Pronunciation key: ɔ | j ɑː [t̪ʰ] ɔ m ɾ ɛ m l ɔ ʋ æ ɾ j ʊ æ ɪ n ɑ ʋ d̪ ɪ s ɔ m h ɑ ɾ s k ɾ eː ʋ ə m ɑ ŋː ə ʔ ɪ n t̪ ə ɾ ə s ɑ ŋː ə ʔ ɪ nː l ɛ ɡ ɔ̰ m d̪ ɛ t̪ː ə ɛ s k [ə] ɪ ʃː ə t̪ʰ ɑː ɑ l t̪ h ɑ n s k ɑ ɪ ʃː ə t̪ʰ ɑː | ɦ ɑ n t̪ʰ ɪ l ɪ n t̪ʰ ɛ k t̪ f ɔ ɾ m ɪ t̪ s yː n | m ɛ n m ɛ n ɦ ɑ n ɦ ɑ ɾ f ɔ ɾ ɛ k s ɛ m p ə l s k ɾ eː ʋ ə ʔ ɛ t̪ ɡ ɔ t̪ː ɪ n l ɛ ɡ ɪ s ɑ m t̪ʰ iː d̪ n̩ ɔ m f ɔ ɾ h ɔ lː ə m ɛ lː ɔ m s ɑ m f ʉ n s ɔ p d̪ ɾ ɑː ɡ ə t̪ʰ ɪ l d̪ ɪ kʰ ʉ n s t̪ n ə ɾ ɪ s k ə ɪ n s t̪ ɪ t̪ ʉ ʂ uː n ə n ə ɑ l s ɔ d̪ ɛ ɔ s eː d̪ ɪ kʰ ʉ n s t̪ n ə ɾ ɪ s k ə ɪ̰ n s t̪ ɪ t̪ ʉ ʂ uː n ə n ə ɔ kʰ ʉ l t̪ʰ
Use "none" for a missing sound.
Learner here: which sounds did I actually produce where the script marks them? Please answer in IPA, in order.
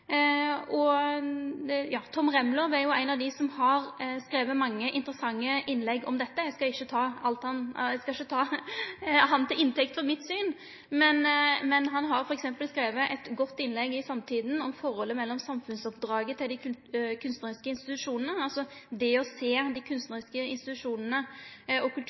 t̪ʰ, ɑ

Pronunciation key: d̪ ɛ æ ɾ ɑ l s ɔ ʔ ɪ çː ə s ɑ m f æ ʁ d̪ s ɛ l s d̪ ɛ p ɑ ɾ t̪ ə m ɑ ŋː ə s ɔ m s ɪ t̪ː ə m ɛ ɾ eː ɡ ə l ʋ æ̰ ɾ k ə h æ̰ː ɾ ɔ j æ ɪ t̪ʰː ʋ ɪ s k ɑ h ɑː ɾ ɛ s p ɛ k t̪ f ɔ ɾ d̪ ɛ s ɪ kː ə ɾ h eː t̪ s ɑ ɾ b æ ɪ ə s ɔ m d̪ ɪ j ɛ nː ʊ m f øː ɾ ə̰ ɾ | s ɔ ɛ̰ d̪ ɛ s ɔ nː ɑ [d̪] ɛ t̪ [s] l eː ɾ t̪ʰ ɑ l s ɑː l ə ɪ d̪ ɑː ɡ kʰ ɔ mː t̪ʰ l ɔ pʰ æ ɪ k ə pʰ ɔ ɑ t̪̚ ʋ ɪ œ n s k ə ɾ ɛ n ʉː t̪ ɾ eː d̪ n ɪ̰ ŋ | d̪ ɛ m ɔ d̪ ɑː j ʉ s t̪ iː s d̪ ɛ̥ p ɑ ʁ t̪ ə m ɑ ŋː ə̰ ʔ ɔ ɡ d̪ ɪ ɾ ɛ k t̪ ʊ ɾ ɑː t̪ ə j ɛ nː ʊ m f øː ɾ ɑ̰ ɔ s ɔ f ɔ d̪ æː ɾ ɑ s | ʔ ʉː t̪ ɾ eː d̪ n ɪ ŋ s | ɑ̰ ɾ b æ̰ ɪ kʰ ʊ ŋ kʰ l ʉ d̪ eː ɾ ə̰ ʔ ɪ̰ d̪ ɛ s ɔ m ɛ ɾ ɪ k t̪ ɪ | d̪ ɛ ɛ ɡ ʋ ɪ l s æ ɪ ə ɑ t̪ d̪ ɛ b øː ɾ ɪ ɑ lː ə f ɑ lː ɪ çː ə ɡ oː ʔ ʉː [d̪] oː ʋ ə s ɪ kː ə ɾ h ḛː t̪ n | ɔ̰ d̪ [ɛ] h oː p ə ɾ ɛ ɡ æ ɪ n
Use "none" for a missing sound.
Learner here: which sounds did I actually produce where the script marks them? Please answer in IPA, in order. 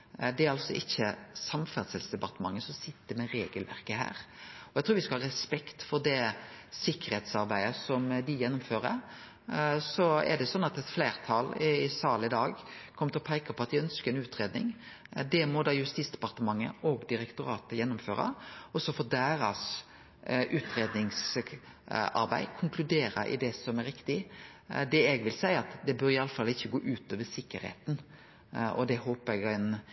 t̪, f, t̪, ɛ

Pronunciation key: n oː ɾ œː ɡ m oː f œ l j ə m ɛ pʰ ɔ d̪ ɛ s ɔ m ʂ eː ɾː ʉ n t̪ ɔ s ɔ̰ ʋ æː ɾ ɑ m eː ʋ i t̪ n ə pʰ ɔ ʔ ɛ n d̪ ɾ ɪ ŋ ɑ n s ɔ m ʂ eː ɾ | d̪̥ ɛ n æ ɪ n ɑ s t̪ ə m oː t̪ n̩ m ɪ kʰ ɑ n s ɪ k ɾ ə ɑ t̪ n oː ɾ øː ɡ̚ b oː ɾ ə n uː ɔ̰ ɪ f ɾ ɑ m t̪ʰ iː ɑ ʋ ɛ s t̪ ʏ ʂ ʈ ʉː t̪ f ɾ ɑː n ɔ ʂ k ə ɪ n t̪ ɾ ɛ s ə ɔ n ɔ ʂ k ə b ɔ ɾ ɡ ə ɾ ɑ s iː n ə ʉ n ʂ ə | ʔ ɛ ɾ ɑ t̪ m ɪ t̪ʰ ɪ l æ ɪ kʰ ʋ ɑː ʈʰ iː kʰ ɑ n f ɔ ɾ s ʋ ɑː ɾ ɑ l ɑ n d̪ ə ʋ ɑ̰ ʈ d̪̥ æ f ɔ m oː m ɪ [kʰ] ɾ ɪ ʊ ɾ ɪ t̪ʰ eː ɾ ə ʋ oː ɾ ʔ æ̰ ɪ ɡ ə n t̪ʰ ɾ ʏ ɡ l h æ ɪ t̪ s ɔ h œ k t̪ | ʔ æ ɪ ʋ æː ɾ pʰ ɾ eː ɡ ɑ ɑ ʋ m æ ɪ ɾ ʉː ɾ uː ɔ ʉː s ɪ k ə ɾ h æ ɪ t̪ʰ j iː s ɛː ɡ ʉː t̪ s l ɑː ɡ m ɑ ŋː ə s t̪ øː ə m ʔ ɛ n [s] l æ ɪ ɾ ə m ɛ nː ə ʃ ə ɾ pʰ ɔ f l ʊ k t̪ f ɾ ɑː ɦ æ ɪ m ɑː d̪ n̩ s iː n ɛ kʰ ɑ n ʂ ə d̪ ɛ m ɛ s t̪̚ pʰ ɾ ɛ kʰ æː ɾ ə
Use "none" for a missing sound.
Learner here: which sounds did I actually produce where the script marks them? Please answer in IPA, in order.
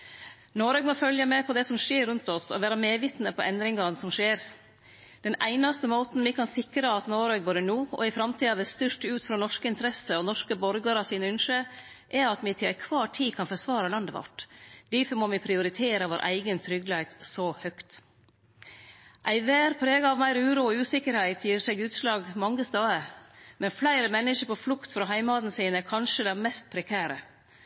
pʰ, f

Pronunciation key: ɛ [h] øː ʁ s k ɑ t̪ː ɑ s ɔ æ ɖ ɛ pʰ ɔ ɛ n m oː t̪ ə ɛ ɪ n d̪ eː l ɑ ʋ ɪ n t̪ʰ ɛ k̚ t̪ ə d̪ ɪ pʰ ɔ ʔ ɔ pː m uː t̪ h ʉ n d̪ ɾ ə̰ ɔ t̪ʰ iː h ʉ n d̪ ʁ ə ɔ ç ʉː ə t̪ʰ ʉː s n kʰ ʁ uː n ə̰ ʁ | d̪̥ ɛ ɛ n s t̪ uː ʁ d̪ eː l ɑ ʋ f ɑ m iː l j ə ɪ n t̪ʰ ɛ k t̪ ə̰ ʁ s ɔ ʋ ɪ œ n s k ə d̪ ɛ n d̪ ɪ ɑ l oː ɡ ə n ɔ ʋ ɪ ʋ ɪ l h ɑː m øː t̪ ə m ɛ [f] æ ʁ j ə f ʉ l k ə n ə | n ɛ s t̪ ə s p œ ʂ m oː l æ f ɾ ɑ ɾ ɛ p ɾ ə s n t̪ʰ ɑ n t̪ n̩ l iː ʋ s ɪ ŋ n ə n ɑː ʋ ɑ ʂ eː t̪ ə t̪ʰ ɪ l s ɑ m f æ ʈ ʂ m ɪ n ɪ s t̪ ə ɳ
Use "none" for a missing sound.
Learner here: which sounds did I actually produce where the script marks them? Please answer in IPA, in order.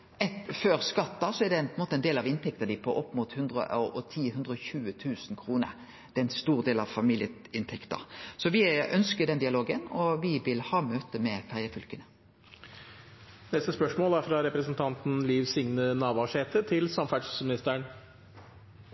f, f

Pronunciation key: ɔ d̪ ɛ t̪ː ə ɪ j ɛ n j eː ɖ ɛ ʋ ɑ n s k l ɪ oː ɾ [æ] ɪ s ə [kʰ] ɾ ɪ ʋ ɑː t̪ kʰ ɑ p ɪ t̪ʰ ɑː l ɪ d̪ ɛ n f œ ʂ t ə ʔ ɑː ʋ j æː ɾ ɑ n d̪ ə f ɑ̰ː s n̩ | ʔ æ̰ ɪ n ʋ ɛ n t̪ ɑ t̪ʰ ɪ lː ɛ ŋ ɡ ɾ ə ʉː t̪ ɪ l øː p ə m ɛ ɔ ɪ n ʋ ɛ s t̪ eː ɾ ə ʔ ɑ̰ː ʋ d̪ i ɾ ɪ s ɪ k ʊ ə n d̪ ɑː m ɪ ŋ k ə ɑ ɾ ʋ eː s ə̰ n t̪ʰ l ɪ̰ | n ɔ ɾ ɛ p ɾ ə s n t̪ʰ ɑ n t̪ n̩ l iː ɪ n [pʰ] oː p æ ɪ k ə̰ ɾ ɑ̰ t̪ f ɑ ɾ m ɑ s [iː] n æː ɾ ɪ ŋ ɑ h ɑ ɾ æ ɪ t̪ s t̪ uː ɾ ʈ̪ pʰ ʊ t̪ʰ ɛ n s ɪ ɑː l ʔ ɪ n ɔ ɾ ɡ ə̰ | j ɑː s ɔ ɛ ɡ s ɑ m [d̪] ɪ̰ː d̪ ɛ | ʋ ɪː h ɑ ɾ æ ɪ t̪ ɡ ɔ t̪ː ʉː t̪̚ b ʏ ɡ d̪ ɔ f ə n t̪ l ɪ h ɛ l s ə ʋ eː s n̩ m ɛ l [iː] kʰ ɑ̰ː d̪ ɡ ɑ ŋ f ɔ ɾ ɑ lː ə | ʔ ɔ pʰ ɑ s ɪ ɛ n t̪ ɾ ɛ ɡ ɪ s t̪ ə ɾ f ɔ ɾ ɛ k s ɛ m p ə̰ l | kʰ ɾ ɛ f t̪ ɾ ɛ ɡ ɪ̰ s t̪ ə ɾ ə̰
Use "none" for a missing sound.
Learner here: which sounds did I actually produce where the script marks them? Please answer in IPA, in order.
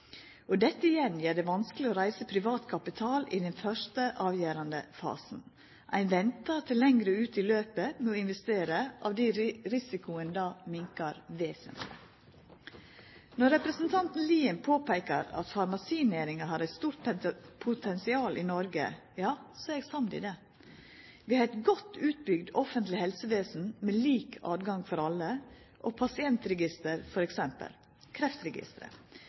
æ, pʰ, pʰ, iː, d̪, iː

